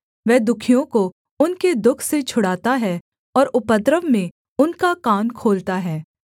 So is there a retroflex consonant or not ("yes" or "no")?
yes